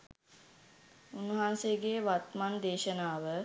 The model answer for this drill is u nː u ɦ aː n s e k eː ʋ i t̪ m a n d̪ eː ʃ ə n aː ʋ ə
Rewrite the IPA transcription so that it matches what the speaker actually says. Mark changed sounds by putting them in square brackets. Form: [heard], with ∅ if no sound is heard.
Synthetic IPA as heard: u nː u ɦ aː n s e [ɡ] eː ʋ [a] t̪ m a n d̪ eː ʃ ə n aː ʋ ə